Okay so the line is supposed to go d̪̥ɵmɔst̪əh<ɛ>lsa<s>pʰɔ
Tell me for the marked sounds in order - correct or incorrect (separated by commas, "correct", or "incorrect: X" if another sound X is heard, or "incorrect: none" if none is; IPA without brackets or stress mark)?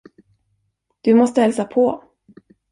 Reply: correct, incorrect: none